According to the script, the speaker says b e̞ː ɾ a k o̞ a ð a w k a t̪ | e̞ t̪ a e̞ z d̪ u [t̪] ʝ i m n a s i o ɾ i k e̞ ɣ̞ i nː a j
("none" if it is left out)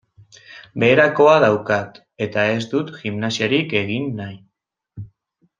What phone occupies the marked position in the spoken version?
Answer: t̪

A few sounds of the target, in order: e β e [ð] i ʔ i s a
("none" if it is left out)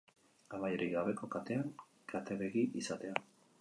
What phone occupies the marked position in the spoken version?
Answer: ɣ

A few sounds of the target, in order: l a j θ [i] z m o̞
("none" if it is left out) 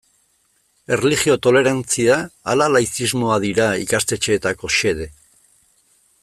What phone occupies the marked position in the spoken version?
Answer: i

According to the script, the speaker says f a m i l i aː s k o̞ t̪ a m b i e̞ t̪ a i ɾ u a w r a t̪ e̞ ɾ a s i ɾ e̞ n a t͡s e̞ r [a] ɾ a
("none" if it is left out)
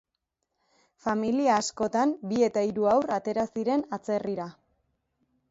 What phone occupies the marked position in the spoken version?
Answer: i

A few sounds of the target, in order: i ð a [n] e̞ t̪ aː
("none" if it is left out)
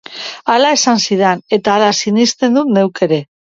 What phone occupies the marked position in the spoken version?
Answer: n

